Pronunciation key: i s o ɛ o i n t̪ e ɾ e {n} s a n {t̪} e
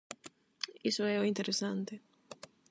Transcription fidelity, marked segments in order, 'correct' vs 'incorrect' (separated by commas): incorrect, correct